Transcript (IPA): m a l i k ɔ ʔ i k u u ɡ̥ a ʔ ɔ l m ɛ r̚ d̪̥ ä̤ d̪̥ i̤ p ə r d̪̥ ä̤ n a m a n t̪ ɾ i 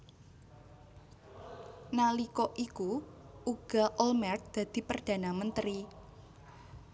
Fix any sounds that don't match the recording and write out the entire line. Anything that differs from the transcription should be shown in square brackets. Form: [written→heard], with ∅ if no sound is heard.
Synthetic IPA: [m→n] a l i k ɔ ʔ i k u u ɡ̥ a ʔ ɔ l m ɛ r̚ d̪̥ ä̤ d̪̥ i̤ p ə r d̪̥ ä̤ n a m [a→ə] n t̪ ɾ i